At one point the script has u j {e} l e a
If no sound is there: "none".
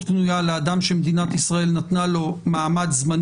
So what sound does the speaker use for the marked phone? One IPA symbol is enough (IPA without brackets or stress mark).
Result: a